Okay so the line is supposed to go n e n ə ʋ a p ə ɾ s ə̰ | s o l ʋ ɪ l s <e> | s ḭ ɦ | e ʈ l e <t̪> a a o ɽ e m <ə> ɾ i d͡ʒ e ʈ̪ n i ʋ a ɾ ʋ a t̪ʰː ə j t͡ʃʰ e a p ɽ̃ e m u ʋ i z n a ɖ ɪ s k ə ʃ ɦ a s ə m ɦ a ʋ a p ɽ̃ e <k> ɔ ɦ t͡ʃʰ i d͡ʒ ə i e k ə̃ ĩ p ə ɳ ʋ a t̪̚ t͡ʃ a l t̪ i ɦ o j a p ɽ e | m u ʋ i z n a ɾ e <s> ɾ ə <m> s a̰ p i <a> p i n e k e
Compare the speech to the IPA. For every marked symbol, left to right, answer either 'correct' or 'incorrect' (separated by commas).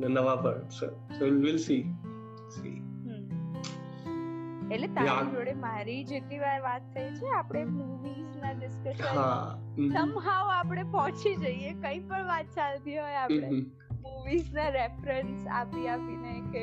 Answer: incorrect, correct, incorrect, incorrect, incorrect, incorrect, correct